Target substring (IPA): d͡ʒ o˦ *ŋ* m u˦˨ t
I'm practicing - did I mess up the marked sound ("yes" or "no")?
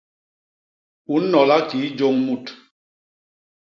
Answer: no